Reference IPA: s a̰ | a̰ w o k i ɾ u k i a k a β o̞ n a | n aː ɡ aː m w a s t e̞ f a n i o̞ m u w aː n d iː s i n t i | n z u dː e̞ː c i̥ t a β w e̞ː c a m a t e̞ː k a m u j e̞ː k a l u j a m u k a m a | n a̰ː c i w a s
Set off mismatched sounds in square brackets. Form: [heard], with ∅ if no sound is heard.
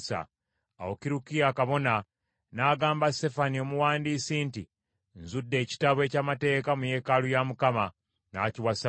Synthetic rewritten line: s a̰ | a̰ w o k i ɾ u k i a k a β o̞ n a | n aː ɡ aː m [b] a s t e̞ f a n i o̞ m u w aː n d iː s i n t i | n z u dː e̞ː c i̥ t a β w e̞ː c a m a t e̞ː k a m u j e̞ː k a l u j a m u k a m a | n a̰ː c i w a s